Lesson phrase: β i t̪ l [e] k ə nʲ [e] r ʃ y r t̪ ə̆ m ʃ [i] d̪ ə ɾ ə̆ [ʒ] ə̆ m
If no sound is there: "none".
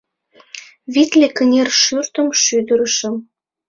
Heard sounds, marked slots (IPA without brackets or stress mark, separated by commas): e, e, y, ʃ